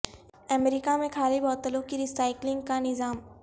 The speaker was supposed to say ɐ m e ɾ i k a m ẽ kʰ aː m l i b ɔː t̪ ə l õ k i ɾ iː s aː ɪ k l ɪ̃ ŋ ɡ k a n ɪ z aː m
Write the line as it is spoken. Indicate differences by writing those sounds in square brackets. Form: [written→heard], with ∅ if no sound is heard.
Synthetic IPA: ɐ m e ɾ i k a m ẽ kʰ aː [m→∅] l i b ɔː t̪ ə l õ k i ɾ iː s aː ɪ k l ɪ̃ ŋ ɡ k a n ɪ z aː m